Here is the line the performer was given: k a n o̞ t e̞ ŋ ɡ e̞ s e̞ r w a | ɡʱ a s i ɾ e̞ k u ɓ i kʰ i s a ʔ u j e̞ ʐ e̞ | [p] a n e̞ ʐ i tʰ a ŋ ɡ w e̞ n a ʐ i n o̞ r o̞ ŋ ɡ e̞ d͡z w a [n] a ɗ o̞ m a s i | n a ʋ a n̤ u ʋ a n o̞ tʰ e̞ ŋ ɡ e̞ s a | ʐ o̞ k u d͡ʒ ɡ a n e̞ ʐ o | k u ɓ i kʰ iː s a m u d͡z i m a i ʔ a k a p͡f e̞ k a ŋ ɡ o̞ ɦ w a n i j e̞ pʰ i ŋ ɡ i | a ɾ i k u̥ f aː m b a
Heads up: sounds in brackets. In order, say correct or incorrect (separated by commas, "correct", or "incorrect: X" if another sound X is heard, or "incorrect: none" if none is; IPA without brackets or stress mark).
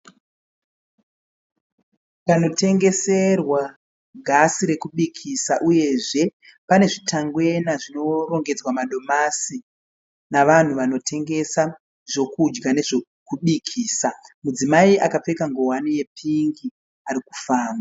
correct, incorrect: m